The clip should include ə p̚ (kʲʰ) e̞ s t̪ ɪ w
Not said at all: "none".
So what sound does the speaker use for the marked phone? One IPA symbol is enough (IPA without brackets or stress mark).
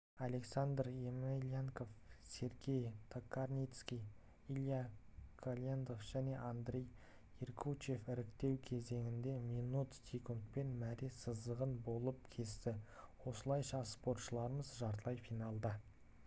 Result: kʲʰ